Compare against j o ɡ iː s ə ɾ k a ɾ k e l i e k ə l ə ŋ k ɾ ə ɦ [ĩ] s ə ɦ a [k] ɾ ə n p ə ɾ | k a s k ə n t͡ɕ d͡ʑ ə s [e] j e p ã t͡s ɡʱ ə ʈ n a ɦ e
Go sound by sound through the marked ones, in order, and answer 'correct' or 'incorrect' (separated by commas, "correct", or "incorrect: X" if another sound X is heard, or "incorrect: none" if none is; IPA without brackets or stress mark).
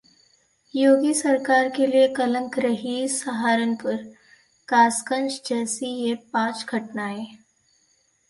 incorrect: i, incorrect: none, incorrect: i